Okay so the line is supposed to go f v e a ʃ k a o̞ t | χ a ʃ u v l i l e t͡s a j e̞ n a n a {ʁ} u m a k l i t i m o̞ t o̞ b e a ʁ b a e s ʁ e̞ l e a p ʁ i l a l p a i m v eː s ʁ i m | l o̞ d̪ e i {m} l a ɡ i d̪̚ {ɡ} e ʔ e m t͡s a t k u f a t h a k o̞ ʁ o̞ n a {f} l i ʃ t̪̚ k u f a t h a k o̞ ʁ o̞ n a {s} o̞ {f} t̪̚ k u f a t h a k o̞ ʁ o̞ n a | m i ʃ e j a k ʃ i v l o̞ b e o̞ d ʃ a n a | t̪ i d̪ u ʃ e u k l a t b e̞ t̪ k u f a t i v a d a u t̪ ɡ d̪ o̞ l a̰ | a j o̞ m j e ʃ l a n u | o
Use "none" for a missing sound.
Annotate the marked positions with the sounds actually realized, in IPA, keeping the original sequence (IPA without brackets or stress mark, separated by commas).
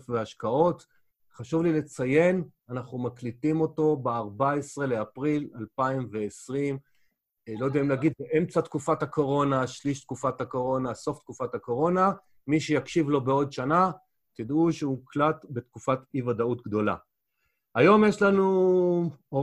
χ, m, b, ʃ, s, f